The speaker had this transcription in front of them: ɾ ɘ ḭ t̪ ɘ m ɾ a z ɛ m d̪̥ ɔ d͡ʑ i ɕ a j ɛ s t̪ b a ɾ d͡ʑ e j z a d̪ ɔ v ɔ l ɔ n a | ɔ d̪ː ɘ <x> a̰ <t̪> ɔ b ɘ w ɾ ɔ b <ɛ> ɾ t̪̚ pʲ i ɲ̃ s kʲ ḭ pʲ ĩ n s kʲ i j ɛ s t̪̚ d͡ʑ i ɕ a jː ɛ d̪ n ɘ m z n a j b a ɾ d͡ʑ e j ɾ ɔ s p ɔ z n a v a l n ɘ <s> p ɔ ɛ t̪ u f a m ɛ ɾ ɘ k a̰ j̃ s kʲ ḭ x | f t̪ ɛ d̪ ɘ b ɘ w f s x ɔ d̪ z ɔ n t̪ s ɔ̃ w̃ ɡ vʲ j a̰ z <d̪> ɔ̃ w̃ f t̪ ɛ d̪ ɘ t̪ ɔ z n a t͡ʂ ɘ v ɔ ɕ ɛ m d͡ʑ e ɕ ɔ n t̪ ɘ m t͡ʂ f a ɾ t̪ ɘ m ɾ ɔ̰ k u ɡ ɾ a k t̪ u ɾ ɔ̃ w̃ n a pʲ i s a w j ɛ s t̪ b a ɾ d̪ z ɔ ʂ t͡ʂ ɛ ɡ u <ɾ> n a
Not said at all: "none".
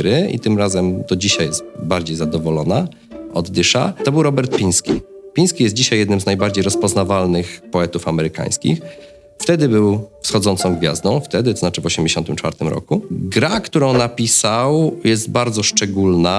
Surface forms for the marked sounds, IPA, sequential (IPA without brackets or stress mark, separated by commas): ʂ, t̪, ɛ, x, d̪, l